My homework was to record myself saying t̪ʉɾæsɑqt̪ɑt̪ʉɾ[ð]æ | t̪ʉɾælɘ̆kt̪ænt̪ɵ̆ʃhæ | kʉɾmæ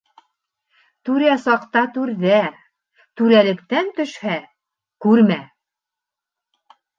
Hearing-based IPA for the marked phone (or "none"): ð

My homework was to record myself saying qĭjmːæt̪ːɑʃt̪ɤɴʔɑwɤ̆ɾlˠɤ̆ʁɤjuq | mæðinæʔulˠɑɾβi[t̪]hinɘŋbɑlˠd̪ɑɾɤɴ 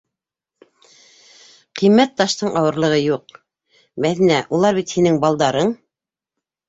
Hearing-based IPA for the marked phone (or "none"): t̪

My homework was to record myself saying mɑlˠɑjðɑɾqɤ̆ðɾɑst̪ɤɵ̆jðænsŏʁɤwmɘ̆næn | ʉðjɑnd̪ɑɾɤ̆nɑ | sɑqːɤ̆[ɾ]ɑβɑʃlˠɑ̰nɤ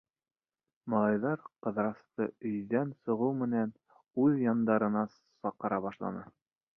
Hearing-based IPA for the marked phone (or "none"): ɾ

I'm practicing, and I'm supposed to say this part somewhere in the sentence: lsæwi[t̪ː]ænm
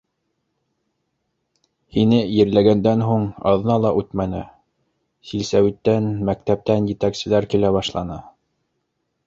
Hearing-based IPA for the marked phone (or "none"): t̪ː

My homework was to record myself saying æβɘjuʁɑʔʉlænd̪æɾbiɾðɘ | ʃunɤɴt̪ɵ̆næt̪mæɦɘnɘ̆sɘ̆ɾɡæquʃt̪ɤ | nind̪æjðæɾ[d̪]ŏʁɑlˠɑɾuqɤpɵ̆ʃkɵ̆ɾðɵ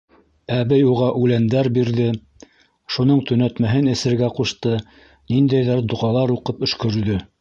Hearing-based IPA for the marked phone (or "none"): d̪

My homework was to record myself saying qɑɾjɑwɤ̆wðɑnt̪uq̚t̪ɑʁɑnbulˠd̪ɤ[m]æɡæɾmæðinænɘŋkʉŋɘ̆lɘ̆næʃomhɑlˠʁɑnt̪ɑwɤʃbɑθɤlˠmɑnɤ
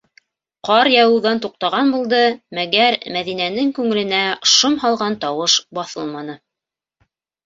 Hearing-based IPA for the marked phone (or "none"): m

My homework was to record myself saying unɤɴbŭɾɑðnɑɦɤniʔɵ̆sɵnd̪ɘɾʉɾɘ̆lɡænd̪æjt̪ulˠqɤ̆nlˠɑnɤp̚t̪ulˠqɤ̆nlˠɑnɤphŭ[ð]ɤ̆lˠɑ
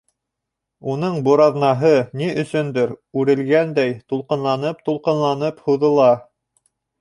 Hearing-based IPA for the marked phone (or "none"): ð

